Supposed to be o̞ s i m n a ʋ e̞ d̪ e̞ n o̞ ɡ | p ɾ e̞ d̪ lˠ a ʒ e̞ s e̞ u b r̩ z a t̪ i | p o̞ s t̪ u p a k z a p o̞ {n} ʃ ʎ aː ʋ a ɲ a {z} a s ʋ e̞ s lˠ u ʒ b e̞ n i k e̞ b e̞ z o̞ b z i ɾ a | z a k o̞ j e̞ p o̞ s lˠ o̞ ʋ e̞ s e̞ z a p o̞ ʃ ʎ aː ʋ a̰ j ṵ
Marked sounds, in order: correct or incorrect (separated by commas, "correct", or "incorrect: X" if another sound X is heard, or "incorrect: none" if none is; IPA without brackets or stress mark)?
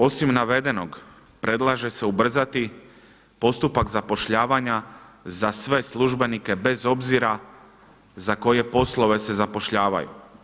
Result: incorrect: none, correct